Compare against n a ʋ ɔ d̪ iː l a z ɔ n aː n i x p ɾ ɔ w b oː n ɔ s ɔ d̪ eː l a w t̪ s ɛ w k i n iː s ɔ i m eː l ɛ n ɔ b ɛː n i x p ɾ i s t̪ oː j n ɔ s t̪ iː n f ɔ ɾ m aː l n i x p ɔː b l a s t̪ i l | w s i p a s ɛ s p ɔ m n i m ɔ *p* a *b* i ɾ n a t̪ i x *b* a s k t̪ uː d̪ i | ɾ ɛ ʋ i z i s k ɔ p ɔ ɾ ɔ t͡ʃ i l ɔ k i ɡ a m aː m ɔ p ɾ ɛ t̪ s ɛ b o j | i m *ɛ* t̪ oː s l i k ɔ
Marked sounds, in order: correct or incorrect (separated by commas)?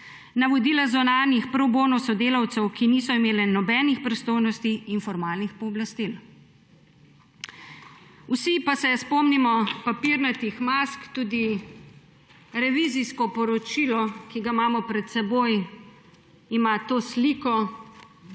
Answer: correct, incorrect, incorrect, incorrect